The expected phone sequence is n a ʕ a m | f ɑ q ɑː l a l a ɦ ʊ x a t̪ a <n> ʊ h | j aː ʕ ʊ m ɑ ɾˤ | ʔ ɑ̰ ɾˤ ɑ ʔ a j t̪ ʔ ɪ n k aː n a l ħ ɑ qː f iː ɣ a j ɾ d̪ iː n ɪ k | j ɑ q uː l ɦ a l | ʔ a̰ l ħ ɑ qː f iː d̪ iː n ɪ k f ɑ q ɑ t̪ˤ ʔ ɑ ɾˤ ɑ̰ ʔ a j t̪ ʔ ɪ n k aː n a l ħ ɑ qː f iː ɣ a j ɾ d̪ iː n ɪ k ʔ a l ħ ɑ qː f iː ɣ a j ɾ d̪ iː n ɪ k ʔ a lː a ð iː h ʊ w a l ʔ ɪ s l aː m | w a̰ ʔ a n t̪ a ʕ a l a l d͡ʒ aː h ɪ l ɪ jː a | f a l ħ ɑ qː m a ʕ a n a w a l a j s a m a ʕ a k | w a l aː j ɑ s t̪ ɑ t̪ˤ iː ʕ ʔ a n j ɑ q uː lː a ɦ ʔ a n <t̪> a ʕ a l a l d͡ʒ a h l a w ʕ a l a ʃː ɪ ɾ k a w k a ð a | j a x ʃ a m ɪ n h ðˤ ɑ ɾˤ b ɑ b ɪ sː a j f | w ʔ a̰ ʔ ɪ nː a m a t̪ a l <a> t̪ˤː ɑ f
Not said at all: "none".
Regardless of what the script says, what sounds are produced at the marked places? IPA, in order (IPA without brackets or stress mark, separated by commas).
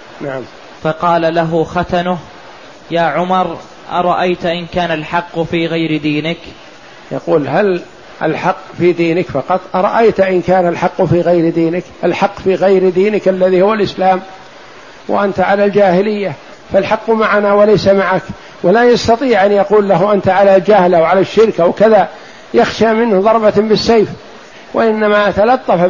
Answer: n, t̪, ɑ